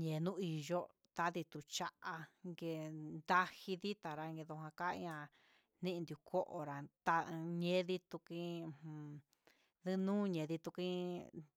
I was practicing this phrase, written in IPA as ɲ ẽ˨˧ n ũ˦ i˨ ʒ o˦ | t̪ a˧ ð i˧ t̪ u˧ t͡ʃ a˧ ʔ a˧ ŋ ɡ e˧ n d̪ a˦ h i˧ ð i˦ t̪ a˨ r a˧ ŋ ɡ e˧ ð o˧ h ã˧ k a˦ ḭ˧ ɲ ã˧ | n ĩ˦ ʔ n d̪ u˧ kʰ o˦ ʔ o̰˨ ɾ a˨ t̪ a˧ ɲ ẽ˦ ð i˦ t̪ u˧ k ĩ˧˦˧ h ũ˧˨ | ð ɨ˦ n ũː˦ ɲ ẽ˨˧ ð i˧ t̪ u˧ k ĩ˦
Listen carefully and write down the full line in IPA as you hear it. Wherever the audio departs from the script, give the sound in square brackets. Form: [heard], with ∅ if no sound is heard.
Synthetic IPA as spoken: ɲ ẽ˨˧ n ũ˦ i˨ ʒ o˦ | t̪ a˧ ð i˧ t̪ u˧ t͡ʃ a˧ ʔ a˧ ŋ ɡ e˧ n d̪ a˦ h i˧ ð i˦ t̪ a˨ [ɾ] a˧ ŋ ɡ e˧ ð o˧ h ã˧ k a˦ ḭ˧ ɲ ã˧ | n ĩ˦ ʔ n d̪ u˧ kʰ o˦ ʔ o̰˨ ɾ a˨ t̪ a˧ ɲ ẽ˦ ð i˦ t̪ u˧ k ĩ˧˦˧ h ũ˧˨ | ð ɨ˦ n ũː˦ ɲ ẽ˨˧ ð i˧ t̪ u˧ k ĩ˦

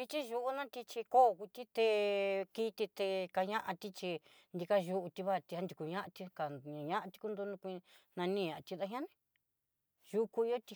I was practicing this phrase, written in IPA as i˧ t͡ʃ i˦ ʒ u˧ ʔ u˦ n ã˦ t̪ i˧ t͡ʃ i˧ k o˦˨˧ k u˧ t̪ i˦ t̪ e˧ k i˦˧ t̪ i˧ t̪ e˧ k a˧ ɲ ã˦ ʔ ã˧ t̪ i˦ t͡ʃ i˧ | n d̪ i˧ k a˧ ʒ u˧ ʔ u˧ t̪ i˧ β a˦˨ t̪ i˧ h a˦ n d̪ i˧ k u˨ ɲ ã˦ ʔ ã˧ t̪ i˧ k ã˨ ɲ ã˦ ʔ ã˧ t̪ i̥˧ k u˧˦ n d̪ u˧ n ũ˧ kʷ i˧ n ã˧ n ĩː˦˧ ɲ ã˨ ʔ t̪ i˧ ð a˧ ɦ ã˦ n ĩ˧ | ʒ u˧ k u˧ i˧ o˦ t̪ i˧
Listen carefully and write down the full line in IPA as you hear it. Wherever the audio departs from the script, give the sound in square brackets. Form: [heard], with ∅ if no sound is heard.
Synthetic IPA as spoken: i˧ t͡ʃ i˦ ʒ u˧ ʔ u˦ n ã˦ t̪ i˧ t͡ʃ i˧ k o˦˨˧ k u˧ t̪ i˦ t̪ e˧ k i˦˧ t̪ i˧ t̪ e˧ k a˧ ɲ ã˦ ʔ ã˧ t̪ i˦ t͡ʃ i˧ | n d̪ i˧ k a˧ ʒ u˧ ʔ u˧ t̪ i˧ β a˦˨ t̪ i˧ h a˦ n d̪ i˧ k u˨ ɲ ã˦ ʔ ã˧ t̪ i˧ k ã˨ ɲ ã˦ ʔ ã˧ t̪ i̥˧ k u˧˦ n d̪ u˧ n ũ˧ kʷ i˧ n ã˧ n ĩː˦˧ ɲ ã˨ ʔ t̪ i˧ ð a˧ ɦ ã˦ n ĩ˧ | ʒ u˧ k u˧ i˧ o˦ t̪ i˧

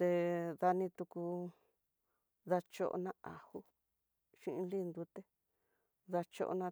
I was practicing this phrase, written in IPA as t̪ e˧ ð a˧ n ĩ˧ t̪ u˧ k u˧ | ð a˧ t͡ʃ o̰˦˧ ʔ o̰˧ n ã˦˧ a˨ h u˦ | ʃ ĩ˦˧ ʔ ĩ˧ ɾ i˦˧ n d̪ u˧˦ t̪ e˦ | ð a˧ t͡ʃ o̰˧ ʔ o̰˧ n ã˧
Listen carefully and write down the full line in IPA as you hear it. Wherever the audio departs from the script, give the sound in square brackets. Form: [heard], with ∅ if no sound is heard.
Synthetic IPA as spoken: t̪ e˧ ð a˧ n ĩ˧ t̪ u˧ k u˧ | ð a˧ t͡ʃ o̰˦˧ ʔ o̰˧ n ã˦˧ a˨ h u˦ | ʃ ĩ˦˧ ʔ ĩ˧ [l] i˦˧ n d̪ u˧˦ t̪ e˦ | ð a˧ t͡ʃ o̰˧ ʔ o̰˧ n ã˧

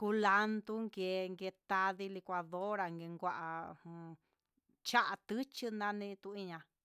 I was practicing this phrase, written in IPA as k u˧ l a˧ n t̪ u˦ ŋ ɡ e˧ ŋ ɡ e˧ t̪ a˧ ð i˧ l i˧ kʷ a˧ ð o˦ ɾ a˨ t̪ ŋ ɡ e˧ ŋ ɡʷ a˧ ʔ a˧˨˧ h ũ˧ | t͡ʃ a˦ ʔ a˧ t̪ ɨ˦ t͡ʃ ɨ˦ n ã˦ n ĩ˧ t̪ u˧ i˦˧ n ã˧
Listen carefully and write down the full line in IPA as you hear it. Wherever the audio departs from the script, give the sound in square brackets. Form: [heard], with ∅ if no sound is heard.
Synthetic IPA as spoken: k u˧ l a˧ n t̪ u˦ ŋ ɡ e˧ ŋ ɡ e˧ t̪ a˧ ð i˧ l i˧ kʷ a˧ ð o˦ ɾ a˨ [∅] ŋ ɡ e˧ ŋ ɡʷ a˧ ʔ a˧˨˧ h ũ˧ | t͡ʃ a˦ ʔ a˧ t̪ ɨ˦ t͡ʃ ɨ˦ n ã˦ n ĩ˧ t̪ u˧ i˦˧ [ɲ] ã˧

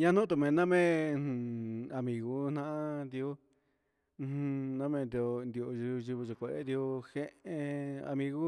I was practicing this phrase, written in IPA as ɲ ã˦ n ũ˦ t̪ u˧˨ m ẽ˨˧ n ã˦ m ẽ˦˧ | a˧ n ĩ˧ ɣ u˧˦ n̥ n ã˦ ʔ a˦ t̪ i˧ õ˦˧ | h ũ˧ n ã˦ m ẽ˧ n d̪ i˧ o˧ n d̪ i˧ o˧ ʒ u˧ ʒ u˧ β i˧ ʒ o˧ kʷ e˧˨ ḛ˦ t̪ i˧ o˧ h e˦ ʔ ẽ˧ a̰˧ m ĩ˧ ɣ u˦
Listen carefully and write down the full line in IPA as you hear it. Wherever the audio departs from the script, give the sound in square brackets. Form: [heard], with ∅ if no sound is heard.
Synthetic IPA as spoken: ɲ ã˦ n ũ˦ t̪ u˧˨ m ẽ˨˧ n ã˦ m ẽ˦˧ | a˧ [m] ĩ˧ ɣ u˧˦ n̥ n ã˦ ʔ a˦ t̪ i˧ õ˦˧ | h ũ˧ n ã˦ m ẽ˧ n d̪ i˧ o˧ n d̪ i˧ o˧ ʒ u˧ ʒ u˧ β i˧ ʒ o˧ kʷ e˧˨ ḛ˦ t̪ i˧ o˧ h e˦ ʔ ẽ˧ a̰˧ m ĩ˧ ɣ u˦

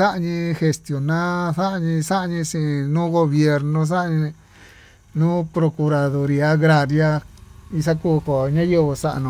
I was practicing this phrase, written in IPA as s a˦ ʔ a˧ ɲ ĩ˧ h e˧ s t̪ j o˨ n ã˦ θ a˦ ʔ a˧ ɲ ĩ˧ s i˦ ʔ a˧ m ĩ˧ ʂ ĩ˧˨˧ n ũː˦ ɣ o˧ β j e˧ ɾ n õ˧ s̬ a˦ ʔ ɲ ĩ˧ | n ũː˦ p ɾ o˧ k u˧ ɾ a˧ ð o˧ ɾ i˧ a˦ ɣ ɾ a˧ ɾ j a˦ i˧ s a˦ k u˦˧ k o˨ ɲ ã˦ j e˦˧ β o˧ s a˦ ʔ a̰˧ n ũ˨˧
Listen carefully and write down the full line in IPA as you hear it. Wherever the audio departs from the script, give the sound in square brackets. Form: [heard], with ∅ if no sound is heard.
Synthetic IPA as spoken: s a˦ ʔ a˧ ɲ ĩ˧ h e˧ s t̪ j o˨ n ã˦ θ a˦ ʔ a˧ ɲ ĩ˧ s [a˦] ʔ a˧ [ɲ] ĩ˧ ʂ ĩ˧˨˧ n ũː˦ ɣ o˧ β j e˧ ɾ n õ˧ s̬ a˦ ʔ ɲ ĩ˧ | n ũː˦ p ɾ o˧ k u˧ ɾ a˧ ð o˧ ɾ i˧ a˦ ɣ ɾ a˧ ɾ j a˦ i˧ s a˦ k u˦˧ k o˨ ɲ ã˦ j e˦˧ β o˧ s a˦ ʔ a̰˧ n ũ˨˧

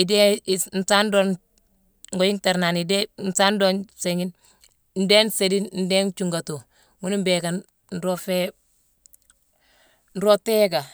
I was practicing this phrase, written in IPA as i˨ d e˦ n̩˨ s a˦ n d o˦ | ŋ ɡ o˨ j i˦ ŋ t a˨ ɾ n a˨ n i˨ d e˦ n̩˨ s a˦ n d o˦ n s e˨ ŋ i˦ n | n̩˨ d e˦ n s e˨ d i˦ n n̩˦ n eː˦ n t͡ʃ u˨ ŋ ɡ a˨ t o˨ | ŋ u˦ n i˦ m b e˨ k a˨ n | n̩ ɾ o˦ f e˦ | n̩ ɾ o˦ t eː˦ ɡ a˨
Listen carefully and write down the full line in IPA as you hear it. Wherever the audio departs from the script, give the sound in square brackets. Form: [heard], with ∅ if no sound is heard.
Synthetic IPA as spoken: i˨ d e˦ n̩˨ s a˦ n d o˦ | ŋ ɡ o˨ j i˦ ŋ t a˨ ɾ n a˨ n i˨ d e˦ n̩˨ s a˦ n d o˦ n s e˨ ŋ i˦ n | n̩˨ d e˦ n s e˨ d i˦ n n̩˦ [d] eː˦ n t͡ʃ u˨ ŋ ɡ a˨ t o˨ | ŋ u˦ n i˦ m b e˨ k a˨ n | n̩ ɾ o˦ f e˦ | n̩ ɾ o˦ t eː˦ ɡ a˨

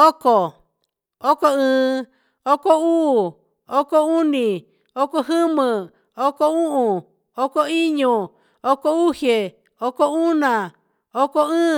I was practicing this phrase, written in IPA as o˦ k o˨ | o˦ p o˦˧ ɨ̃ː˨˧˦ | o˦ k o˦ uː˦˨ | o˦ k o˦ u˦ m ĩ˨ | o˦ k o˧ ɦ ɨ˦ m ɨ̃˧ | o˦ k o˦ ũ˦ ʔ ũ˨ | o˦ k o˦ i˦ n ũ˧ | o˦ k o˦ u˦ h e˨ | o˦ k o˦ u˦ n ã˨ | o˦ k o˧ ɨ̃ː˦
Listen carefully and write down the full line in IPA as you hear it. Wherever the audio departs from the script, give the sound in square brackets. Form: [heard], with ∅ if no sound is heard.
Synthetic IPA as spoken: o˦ k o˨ | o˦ [k] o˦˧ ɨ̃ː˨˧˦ | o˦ k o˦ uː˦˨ | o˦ k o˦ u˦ [n] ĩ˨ | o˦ k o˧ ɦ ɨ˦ m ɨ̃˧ | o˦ k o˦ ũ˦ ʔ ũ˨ | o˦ k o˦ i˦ [ɲ] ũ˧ | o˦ k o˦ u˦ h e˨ | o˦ k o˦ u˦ n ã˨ | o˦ k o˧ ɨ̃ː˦

